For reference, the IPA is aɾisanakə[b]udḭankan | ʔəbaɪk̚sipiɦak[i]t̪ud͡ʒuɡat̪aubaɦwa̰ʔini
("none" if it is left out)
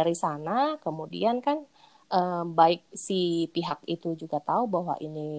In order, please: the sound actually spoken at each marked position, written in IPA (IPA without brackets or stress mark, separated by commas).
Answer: m, i